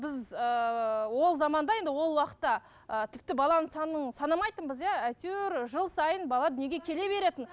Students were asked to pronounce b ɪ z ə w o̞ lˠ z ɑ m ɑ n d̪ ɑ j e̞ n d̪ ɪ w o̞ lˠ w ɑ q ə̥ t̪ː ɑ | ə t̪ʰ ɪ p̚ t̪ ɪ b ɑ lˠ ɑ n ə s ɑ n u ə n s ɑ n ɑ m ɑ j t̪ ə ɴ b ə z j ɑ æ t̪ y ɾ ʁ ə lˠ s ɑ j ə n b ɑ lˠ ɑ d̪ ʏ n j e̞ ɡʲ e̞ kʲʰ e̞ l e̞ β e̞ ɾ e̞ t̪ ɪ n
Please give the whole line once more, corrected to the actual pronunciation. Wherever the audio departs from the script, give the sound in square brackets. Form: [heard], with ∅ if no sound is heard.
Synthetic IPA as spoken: b ɪ z ə w o̞ lˠ z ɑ m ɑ n d̪ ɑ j e̞ n d̪ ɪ w o̞ lˠ w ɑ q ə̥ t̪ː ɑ | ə t̪ʰ ɪ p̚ t̪ ɪ b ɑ lˠ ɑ n ə s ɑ n u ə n s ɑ n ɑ m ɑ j t̪ ə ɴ b ə z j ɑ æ t̪ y ɾ [ʒ] ə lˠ s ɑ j ə n b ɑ lˠ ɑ d̪ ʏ n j e̞ ɡʲ e̞ kʲʰ e̞ l e̞ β e̞ ɾ e̞ t̪ ɪ n